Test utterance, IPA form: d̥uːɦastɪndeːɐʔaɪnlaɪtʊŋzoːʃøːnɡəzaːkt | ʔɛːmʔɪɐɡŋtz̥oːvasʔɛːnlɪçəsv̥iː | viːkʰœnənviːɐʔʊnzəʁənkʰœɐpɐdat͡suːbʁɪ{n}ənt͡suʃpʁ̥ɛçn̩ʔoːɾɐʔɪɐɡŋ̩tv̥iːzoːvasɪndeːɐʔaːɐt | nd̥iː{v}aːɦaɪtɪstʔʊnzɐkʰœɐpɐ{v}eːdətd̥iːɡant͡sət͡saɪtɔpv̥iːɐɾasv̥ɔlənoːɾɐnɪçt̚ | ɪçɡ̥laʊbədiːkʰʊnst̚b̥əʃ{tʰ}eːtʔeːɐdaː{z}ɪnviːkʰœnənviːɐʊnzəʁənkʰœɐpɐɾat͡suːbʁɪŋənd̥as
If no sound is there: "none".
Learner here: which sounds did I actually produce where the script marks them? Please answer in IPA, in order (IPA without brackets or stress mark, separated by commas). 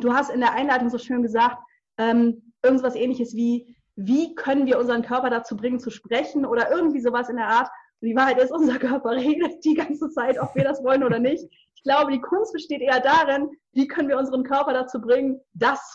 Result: ŋ, v, ʁ, t, ʁ